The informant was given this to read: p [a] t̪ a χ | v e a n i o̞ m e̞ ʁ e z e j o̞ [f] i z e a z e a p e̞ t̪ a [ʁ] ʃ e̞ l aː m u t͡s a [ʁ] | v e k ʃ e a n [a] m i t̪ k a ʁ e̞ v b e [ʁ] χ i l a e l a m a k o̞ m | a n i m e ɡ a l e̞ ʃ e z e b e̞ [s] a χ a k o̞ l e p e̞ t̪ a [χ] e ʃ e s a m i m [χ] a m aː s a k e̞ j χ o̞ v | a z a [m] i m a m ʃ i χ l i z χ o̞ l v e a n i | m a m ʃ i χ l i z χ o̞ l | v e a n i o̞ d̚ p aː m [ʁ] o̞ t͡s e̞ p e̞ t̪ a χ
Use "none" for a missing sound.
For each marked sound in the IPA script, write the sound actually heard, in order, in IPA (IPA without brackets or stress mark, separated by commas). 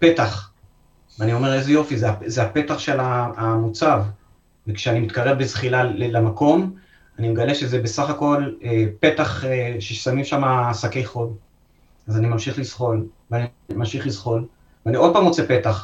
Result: e, f, χ, v, i, z, s, χ, ʃ, n, ʁ